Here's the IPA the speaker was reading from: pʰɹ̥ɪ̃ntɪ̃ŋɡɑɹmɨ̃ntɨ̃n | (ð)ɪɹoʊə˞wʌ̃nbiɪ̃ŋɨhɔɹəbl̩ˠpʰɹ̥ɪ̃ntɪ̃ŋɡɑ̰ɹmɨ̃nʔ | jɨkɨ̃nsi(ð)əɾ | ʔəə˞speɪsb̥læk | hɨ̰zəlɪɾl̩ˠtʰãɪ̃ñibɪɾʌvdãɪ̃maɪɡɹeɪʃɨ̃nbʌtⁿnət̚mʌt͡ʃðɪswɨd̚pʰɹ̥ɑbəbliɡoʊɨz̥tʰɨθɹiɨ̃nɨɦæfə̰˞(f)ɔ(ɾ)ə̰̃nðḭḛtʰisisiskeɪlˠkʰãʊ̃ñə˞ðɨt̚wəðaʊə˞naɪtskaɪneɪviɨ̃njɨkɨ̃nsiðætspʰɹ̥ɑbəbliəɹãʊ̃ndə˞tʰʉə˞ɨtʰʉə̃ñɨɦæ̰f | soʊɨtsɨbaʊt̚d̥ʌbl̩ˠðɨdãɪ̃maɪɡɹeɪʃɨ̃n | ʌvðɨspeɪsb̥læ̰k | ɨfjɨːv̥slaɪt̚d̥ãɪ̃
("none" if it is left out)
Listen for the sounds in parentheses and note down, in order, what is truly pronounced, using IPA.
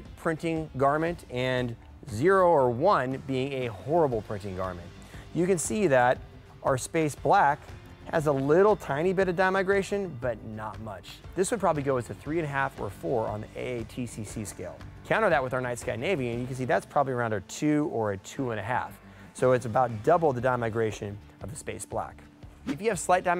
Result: z, ð, f, ɹ

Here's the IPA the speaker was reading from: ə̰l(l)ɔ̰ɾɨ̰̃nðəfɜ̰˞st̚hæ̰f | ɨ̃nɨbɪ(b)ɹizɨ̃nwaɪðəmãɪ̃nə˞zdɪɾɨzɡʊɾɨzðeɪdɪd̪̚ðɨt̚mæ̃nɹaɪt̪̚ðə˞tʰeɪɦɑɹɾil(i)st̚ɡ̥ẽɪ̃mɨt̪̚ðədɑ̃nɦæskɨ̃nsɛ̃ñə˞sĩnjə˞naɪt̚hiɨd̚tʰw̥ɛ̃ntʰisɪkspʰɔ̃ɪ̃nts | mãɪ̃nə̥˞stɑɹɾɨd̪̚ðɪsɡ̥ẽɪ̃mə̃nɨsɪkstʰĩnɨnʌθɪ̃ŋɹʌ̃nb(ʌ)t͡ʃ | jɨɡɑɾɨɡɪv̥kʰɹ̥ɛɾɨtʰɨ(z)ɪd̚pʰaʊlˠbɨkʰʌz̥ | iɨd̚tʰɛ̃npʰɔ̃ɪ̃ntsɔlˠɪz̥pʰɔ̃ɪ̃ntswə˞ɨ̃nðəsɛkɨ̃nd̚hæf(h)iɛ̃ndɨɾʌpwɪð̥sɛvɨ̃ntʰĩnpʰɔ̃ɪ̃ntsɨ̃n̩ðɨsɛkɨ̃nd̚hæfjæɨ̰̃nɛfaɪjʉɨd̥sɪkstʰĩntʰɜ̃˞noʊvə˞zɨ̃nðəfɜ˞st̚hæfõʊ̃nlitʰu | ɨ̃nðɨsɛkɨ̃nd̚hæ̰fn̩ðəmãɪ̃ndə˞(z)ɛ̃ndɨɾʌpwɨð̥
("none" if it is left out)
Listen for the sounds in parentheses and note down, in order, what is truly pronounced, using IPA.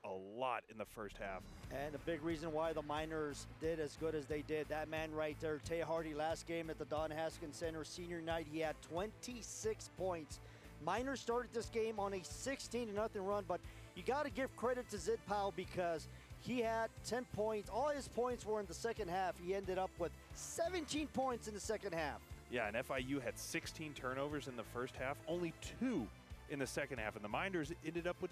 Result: l, ɡ, æ, ʌ, z, h, z

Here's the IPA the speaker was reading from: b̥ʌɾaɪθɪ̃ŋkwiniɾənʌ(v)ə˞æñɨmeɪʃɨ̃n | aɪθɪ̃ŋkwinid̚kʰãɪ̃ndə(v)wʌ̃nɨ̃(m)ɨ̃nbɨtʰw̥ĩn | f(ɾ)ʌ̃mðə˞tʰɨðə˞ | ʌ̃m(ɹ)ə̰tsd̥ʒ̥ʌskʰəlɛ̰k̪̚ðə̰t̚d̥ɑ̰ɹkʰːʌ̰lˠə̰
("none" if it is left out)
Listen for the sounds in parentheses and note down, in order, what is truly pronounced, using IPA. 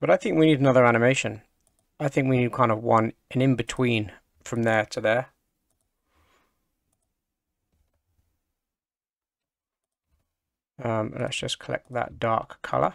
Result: ð, v, n, ɹ, l

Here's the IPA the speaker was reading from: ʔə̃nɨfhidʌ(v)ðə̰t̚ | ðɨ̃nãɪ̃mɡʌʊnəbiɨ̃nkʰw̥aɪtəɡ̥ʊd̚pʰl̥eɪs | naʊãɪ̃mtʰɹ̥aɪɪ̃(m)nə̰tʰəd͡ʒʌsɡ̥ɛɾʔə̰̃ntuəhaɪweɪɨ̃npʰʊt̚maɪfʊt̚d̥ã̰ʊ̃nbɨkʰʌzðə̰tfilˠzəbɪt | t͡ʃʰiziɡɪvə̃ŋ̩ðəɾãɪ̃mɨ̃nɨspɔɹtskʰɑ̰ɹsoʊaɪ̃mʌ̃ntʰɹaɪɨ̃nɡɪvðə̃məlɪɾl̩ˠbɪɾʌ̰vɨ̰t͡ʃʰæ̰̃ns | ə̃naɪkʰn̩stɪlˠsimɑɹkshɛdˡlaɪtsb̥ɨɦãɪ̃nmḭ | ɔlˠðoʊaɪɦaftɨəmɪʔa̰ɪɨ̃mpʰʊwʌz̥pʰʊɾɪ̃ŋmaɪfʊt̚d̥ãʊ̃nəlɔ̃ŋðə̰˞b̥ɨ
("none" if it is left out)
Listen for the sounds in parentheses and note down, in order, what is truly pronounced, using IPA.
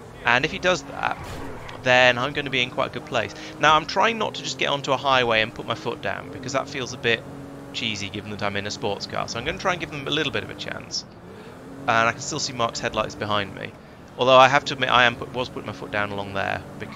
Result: z, ŋ

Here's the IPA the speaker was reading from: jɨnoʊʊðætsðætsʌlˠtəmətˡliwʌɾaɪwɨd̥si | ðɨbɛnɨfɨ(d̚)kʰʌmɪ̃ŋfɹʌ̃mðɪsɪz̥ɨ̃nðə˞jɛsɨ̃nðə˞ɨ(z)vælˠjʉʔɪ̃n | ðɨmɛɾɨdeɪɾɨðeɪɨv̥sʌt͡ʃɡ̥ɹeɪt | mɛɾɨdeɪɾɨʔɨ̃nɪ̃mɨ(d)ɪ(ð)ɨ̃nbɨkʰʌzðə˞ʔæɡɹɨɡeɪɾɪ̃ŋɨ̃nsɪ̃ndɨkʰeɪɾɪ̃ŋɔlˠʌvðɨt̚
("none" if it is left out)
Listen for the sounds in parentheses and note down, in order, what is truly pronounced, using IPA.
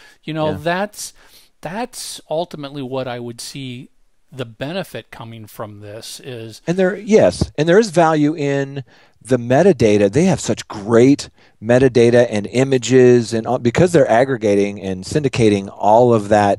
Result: t̚, z, d͡ʒ, z

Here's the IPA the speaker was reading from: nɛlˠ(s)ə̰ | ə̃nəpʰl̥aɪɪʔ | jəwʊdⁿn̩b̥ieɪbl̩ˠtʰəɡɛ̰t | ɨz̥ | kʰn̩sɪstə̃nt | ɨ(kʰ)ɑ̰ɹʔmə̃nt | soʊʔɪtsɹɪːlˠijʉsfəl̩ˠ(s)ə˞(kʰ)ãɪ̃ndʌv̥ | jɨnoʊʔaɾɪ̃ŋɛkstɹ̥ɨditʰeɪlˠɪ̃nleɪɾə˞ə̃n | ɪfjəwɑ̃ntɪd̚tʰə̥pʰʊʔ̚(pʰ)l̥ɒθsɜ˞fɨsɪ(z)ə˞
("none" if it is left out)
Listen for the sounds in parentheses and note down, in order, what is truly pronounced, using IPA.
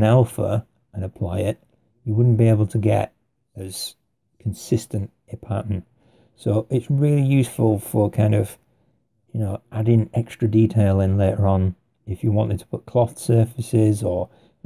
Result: f, pʰ, f, kʰ, kʰ, z

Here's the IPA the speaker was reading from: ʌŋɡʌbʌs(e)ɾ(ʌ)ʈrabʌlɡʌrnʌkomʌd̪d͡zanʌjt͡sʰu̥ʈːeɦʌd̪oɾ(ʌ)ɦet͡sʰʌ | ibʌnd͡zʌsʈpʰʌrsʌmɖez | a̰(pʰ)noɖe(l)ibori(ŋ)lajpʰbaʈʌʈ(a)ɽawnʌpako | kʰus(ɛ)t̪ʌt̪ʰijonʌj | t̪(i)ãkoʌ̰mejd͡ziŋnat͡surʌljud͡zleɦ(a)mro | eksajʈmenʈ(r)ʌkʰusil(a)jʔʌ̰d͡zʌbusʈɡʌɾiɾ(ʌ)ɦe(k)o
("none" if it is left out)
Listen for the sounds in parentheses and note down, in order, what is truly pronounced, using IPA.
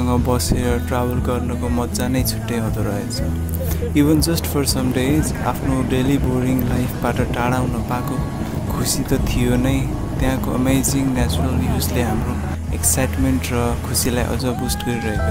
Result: e, ʌ, ʌ, pʰ, l, ŋ, a, i, j, a, r, a, ʌ, k

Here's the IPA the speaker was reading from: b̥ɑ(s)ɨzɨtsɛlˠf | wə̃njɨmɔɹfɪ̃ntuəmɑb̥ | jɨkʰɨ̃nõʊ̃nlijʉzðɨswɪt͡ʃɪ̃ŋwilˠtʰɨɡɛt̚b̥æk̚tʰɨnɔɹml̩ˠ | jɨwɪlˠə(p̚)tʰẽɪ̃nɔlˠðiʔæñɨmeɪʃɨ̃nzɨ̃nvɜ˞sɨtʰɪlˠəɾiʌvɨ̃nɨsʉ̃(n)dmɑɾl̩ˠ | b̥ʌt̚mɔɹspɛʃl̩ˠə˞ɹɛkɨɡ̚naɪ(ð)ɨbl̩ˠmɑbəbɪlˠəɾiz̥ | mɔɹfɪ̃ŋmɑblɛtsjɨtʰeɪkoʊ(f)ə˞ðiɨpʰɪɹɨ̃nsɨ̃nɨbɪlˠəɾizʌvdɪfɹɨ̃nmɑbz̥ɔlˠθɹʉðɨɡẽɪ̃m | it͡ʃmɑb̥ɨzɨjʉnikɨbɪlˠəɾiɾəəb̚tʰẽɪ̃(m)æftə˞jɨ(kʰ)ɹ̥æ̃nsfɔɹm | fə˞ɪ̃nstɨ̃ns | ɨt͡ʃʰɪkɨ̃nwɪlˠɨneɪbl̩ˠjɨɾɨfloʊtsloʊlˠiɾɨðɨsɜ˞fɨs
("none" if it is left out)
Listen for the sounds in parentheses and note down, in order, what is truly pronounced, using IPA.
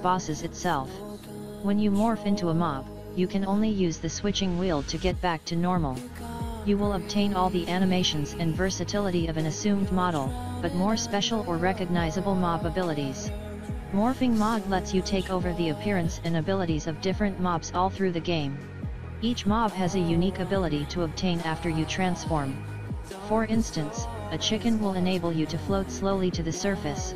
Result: s, b̚, m, z, v, n, tʰ

